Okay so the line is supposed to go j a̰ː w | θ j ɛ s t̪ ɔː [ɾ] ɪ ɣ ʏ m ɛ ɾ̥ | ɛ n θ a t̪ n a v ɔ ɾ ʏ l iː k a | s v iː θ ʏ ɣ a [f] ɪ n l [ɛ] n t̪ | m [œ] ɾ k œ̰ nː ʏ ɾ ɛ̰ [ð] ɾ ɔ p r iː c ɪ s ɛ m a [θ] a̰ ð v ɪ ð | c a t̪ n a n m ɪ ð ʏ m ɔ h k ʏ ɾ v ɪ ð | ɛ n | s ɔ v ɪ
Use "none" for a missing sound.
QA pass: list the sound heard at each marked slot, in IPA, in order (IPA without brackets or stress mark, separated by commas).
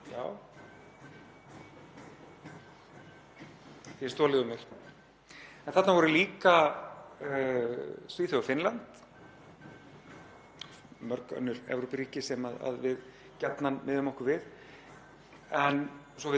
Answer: l, f, a, œ, v, ð